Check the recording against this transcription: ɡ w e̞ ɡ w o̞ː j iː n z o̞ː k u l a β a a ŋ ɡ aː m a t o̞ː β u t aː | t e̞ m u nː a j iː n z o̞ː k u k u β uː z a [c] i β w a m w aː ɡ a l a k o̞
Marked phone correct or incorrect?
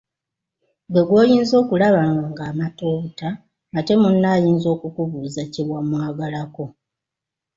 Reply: correct